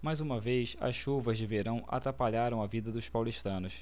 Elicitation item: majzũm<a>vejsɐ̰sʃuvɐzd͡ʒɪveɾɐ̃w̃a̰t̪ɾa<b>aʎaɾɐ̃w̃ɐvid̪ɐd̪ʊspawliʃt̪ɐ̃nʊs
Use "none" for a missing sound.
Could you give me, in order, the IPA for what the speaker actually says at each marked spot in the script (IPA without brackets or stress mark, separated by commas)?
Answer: ɐ, p